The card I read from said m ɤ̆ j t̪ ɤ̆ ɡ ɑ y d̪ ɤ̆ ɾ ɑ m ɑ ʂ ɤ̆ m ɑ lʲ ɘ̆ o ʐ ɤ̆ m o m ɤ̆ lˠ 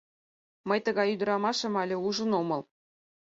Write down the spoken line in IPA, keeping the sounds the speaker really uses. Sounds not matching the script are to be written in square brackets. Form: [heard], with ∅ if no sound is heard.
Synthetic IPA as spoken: m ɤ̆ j t̪ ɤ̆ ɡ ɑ y d̪ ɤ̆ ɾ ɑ m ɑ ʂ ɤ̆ m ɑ lʲ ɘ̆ [u] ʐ ɤ̆ [n] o m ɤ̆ lˠ